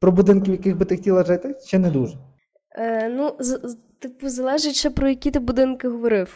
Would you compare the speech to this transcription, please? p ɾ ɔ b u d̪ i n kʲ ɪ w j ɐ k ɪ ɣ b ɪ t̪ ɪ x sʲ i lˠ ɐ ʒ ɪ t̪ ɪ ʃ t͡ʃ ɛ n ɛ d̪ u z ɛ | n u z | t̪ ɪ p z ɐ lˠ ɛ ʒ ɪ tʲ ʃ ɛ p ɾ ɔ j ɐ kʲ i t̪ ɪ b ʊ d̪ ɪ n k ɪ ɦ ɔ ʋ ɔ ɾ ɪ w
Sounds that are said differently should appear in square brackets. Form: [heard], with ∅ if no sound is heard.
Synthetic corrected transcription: p ɾ ɔ b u d̪ [ɪ] n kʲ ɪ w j ɐ k ɪ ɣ b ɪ t̪ ɪ x [tʲ] i lˠ ɐ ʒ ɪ t̪ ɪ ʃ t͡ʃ ɛ n ɛ d̪ u [ʒ] ɛ | n u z | t̪ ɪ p z ɐ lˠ ɛ ʒ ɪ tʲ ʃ ɛ p ɾ ɔ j ɐ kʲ i t̪ ɪ b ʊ d̪ ɪ n k ɪ ɦ ɔ ʋ ɔ ɾ ɪ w